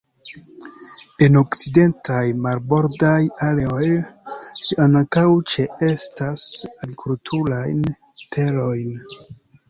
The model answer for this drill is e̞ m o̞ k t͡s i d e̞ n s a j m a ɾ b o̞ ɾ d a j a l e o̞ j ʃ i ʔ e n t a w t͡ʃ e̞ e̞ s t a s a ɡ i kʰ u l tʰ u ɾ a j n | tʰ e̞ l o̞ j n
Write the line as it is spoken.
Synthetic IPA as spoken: e̞ n o̞ k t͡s i d e̞ n t a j m a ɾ b o̞ ɾ d a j a l e o̞ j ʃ i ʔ a n k a w t͡ʃ e̞ e̞ s t a s a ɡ i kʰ u l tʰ u ɾ a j n | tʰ e̞ l o̞ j n